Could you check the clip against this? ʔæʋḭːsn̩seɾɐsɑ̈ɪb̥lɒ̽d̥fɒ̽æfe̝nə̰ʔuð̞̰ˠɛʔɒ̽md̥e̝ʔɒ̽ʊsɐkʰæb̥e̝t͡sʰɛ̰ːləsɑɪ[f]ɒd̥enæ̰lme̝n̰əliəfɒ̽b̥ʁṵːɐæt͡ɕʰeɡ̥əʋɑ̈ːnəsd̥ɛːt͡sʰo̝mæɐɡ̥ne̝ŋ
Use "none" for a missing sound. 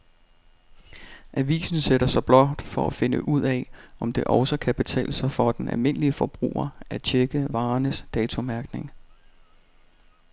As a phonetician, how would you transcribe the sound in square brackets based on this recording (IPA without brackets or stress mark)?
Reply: f